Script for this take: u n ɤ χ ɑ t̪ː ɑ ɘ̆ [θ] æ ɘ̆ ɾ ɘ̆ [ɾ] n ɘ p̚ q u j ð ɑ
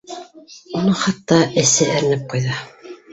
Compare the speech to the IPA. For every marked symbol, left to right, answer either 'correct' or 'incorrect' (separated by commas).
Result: incorrect, incorrect